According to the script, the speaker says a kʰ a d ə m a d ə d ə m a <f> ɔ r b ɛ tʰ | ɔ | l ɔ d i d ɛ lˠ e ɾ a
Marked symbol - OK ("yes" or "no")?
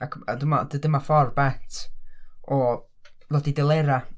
yes